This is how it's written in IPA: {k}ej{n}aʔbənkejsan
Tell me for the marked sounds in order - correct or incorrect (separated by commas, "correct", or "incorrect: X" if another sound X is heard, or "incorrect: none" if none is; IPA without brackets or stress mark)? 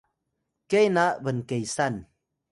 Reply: correct, correct